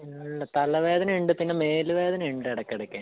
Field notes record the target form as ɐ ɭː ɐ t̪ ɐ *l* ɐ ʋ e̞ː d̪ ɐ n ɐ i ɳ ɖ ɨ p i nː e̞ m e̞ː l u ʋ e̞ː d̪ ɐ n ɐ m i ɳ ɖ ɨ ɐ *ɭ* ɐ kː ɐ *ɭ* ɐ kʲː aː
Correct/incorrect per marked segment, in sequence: correct, incorrect: ɽ, incorrect: ɽ

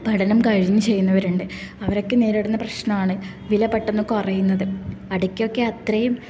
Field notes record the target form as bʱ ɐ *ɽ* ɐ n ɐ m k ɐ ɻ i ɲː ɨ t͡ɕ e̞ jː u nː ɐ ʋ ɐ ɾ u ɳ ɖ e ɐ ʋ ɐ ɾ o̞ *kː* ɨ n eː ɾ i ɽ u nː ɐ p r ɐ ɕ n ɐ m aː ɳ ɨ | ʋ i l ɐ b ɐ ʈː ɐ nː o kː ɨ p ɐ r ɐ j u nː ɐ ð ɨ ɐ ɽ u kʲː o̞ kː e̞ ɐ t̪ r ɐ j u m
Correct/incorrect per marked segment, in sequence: correct, correct

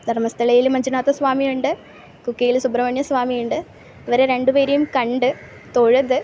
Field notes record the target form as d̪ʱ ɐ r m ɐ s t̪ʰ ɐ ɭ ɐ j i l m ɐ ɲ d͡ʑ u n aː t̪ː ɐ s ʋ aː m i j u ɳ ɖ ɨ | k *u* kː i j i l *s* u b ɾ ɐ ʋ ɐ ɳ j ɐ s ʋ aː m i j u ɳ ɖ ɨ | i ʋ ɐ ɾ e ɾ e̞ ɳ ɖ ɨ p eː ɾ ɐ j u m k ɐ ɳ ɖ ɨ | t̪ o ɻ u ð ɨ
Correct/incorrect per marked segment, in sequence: correct, correct

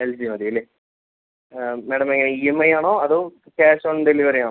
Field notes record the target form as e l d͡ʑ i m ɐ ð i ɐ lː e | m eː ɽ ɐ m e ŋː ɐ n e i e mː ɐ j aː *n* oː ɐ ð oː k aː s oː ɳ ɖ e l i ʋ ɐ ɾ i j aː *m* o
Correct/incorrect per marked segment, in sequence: incorrect: ɳ, incorrect: ɳ

